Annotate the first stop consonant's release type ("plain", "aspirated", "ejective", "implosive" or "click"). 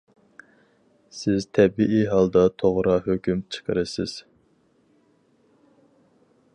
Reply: aspirated